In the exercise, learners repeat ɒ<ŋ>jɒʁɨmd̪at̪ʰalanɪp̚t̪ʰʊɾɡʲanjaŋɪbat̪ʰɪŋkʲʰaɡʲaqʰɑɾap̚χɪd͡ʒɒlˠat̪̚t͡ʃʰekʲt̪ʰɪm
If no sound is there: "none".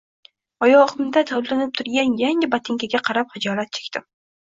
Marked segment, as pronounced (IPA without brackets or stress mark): none